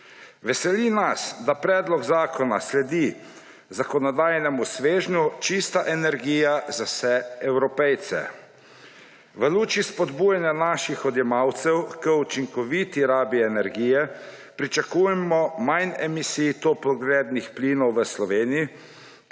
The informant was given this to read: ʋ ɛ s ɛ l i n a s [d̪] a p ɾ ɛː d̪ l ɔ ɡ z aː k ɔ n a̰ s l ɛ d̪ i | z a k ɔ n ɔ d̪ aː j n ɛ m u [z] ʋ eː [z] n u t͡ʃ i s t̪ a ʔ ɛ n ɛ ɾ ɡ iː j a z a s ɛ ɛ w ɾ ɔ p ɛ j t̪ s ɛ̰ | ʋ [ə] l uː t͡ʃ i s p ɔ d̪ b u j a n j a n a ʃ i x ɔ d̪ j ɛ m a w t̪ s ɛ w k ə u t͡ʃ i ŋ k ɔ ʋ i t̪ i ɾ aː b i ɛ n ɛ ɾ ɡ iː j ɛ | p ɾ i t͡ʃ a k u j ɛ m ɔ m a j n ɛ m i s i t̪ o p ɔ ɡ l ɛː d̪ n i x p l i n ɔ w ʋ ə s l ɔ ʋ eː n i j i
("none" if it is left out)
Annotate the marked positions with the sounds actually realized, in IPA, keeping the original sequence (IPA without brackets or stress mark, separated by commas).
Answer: d̪, s, ʒ, ə